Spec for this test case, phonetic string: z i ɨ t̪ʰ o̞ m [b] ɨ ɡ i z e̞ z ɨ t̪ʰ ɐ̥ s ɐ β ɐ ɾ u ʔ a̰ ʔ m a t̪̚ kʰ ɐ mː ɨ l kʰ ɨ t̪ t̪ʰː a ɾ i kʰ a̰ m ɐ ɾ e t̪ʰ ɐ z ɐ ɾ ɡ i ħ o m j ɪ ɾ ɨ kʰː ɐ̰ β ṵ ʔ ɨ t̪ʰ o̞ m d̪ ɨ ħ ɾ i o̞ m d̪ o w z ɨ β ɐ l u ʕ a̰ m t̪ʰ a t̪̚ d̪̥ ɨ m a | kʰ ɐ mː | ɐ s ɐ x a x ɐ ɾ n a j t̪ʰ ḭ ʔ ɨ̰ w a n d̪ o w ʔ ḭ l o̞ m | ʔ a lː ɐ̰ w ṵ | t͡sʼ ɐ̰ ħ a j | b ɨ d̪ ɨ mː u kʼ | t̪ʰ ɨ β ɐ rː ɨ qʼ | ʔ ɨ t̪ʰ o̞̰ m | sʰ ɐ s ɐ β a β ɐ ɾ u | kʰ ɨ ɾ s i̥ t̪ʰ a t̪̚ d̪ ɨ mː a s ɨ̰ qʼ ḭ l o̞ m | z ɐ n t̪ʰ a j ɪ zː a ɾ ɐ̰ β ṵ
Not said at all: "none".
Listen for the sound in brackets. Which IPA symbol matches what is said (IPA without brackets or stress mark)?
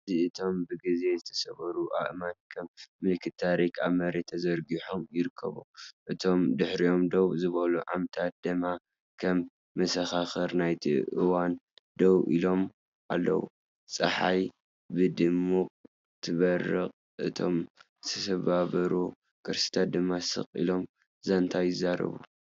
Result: b